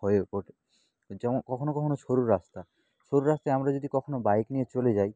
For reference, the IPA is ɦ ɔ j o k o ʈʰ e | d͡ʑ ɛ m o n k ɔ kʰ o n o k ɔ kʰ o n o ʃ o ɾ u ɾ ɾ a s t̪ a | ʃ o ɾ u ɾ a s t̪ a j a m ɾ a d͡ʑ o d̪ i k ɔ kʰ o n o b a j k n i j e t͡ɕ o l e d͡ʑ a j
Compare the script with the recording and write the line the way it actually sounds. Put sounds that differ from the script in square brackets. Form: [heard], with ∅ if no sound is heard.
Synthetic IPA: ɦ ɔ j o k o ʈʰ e | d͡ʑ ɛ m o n k ɔ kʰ o n o k ɔ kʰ o n o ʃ o ɾ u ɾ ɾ a s t̪ a | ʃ o ɾ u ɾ a s t̪ a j a m ɾ a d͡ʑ o d̪ i k ɔ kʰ o n o b a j k n i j e t͡ɕ o l e d͡ʑ a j